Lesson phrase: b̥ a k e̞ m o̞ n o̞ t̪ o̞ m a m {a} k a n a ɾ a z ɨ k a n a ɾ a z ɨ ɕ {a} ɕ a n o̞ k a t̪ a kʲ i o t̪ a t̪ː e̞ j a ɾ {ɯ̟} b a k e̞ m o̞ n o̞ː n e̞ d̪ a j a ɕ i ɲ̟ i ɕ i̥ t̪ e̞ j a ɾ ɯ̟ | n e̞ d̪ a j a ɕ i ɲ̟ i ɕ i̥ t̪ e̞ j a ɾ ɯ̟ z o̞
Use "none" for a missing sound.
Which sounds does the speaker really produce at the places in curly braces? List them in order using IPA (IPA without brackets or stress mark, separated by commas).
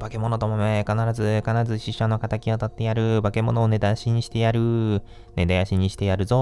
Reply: e, i, ɯ̟